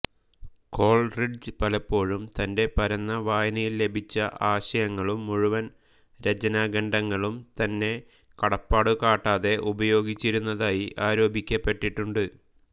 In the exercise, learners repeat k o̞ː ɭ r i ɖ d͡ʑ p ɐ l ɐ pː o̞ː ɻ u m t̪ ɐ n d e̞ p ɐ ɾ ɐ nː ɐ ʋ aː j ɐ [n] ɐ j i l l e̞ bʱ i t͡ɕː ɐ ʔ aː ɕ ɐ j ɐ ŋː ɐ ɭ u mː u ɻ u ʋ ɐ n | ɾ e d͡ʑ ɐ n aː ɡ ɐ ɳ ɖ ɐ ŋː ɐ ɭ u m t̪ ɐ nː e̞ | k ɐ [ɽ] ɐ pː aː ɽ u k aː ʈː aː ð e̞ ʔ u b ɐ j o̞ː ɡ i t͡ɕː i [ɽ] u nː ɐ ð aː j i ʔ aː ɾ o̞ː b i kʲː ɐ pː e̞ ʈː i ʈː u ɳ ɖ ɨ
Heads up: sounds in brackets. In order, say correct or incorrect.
correct, correct, incorrect: ɾ

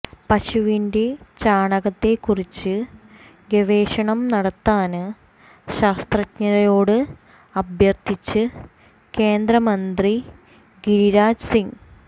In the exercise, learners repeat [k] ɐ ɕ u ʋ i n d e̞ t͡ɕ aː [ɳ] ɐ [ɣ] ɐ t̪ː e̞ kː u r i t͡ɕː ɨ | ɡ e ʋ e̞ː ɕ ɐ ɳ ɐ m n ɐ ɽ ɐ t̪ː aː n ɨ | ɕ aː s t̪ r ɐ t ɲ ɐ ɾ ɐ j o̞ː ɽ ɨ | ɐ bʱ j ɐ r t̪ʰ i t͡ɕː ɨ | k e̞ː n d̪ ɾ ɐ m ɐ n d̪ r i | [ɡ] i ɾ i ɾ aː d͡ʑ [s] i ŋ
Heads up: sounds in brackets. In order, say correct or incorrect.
incorrect: p, correct, correct, correct, correct

